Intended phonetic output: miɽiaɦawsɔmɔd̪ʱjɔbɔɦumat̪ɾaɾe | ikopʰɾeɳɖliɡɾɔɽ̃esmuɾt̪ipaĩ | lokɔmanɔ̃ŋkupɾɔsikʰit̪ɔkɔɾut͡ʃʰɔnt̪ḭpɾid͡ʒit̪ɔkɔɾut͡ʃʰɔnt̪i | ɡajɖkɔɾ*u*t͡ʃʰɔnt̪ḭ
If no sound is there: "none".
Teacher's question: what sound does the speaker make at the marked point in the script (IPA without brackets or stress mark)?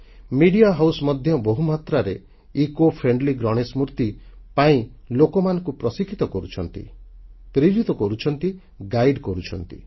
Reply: u